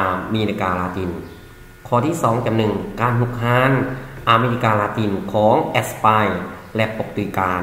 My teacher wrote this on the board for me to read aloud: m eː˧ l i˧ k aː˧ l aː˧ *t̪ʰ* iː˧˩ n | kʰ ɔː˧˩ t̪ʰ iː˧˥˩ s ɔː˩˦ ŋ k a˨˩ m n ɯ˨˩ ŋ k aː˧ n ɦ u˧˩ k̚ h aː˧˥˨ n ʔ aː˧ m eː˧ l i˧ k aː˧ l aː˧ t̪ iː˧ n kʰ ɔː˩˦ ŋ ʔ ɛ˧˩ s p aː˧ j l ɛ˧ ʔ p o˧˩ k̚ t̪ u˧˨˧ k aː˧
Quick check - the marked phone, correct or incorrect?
incorrect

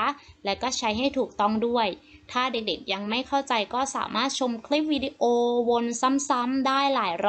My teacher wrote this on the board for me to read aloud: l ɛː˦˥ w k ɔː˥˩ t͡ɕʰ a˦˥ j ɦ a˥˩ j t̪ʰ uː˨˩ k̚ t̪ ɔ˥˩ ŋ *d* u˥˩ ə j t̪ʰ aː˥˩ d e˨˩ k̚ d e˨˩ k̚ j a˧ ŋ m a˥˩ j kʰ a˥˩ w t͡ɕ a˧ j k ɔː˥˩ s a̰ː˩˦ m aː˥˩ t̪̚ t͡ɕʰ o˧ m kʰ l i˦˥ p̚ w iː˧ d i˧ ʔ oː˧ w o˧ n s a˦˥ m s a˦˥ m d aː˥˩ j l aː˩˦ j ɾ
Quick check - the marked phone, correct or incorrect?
correct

